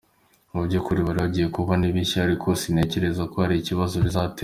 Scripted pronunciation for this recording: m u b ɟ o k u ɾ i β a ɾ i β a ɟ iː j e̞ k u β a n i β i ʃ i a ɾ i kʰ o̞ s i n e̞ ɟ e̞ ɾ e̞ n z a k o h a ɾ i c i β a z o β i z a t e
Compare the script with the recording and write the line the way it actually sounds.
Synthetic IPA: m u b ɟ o k u ɾ i β a ɾ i β a ɟ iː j e̞ k u β a n i β i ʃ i a ɾ i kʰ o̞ s i n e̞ c e̞ ɾ e̞ z a k o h a ɾ i c i β a z o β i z a t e